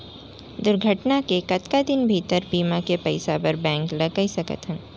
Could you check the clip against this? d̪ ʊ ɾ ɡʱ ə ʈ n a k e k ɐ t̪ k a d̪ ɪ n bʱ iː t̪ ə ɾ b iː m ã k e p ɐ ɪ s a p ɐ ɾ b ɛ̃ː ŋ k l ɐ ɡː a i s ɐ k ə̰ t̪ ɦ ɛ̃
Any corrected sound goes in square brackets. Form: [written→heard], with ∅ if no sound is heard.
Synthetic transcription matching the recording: d̪ ʊ ɾ ɡʱ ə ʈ n a k e k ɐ t̪ k a d̪ ɪ n bʱ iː t̪ ə ɾ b iː m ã k e p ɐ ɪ s a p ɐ ɾ b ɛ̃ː ŋ k l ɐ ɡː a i s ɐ k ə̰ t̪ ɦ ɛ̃